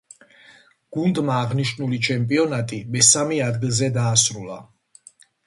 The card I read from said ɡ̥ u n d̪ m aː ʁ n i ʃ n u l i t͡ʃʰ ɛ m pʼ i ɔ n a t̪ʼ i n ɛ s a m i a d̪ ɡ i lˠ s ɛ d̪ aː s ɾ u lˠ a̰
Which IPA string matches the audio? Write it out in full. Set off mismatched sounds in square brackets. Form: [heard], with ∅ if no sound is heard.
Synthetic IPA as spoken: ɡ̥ u n d̪ m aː ʁ n i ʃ n u l i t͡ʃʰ ɛ m pʼ i ɔ n a t̪ʼ i [m] ɛ s a m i a d̪ ɡ i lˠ [z] ɛ d̪ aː s ɾ u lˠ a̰